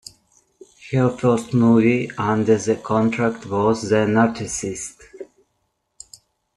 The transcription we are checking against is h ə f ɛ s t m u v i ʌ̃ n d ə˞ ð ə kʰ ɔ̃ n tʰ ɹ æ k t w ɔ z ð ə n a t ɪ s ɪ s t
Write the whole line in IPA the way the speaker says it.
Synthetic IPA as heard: h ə f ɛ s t m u v i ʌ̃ n d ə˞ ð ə kʰ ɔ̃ n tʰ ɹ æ k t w ɔ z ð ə n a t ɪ s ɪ s t